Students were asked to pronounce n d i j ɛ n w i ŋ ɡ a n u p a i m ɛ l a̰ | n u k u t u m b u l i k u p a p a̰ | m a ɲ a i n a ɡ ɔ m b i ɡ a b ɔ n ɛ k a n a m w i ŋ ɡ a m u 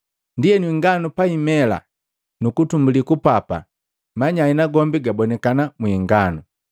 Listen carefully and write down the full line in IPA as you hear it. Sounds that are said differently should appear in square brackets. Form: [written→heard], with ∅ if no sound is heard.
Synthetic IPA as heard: n d i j ɛ n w i ŋ ɡ a n u p a i m ɛ l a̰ | n u k u t u m b u l i k u p a p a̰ | m a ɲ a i n a ɡ ɔ m b i ɡ a b ɔ n ɛ k a n a m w i ŋ ɡ a [m→n] u